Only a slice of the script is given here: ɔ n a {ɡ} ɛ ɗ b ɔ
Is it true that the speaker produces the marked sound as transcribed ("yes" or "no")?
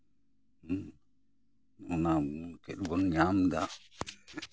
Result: no